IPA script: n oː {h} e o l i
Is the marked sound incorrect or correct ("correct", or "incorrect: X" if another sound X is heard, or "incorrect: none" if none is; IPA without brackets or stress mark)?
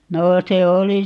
incorrect: s